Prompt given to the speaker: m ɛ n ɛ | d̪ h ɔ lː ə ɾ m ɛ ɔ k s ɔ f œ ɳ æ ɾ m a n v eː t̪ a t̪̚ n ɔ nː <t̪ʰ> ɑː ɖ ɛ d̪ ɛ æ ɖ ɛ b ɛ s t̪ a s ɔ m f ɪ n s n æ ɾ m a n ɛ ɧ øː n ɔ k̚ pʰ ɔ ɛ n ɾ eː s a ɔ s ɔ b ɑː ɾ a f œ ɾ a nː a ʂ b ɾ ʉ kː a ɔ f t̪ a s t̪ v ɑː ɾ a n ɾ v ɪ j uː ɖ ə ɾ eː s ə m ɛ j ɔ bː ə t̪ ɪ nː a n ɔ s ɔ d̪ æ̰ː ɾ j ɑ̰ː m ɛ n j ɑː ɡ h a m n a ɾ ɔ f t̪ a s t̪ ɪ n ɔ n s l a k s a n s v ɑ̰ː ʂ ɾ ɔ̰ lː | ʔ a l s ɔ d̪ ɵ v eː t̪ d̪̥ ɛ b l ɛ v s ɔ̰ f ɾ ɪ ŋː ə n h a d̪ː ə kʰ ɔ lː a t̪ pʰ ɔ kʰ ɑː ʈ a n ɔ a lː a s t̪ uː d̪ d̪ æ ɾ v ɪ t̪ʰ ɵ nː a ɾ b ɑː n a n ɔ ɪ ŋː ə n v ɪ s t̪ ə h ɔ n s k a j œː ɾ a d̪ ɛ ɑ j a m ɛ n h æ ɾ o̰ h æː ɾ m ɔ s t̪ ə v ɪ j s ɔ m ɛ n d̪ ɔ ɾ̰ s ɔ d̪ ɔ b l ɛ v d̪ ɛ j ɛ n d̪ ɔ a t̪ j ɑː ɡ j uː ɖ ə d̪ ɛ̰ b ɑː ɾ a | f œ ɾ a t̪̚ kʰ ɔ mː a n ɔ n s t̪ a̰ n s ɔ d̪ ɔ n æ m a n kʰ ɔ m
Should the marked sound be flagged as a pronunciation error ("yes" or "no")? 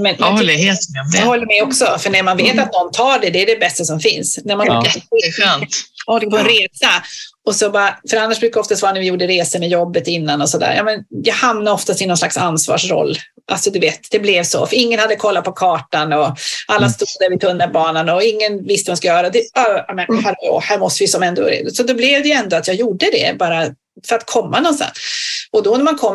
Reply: no